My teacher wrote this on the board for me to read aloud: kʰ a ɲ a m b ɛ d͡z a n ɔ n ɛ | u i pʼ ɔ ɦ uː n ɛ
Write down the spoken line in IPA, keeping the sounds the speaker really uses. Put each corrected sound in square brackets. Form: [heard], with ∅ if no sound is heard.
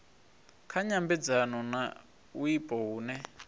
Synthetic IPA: kʰ a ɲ a m b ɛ d͡z a n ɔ n [a] | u i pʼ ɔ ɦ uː n ɛ